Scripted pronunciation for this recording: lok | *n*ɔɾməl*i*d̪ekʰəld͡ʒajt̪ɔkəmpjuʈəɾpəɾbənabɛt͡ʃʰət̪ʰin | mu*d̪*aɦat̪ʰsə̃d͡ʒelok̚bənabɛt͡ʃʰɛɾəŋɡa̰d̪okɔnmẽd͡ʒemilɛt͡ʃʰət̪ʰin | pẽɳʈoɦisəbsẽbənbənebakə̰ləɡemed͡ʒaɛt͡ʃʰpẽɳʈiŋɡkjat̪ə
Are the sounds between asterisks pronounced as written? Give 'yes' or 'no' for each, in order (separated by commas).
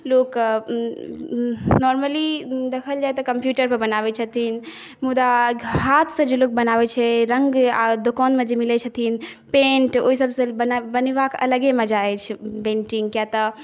yes, yes, yes